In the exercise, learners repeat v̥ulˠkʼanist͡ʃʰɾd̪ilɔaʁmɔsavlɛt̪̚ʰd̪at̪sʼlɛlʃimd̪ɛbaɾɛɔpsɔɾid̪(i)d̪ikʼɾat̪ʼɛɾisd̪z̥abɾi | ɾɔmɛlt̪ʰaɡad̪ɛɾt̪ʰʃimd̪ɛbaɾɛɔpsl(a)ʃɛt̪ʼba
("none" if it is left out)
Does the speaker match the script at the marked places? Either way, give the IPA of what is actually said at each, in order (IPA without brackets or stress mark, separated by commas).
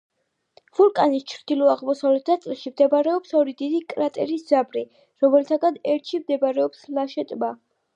i, a